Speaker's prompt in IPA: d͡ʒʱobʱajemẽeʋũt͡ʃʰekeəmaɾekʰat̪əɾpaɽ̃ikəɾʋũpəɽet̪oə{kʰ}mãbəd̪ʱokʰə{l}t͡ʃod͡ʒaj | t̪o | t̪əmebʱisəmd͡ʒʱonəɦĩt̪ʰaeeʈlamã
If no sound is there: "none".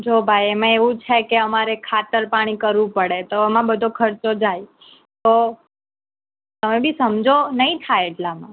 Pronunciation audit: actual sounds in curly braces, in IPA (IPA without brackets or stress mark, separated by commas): none, ɾ